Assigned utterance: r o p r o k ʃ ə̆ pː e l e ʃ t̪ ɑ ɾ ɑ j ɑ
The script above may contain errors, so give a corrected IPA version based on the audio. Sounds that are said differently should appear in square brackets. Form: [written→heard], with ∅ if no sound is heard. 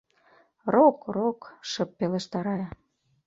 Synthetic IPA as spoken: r o [p→k] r o k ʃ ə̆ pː e l e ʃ t̪ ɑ ɾ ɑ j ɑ